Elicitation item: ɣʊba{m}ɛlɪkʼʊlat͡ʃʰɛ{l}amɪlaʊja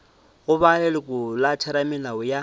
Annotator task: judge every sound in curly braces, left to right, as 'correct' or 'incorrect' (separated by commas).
incorrect, incorrect